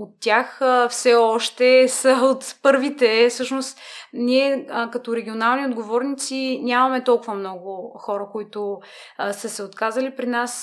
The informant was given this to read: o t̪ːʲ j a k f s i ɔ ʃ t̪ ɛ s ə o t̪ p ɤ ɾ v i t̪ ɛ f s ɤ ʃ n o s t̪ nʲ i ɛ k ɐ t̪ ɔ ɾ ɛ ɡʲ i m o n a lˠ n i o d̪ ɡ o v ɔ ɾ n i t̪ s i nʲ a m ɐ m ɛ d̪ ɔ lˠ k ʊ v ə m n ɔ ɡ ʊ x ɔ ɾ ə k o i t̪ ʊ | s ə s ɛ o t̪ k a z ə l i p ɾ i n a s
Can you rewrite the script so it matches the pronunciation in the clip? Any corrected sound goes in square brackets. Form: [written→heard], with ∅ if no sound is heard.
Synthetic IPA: o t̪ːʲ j a [k→x] f s [i→ɛ] ɔ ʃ t̪ ɛ s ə o t̪ p ɤ ɾ v i t̪ ɛ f s ɤ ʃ n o s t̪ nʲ i ɛ k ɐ t̪ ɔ ɾ ɛ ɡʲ i [m→∅] o n a lˠ n i o d̪ ɡ o v ɔ ɾ n i t̪ s i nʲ a m ɐ m ɛ [d̪→t̪] ɔ lˠ k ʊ v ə m n ɔ ɡ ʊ x ɔ ɾ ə k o i t̪ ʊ | s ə s ɛ o t̪ k a z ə l i p ɾ i n a s